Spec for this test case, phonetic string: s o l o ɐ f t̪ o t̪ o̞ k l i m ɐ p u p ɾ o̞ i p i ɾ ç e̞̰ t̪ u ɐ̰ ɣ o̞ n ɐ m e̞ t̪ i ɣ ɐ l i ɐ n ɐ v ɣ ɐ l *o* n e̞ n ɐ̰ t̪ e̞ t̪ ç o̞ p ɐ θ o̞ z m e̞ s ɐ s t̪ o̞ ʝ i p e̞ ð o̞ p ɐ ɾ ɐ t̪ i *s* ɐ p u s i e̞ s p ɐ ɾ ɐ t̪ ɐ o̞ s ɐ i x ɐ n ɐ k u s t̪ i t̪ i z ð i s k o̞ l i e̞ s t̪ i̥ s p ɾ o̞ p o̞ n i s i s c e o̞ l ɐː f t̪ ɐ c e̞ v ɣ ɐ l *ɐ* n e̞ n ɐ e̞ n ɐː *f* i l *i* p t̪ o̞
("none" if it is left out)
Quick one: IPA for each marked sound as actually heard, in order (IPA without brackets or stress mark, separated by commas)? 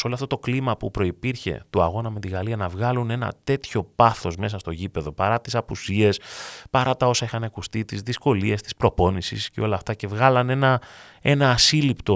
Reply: u, s, ɐ, s, i